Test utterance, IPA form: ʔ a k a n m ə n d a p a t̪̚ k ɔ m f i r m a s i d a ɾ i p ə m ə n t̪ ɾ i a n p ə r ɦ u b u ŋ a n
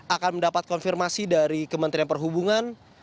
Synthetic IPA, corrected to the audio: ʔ a k a n m ə n d a p a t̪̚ k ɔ n f i r m a s i d a ɾ i k ə m ə n t̪ ɾ i a n p ə r ɦ u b u ŋ a n